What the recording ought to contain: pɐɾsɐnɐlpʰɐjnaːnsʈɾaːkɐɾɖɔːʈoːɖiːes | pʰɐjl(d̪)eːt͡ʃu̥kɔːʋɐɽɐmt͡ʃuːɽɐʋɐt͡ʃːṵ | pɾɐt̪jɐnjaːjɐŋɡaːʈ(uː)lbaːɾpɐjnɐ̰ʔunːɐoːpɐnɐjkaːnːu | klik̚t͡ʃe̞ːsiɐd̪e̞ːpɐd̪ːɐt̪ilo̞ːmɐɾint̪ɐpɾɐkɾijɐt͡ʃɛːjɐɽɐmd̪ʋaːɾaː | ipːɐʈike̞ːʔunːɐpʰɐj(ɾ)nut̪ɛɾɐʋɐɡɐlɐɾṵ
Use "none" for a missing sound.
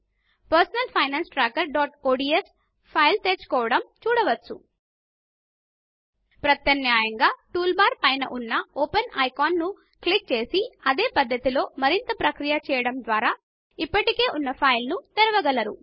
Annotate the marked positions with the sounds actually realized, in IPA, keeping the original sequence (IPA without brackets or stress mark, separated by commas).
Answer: t̪, uː, l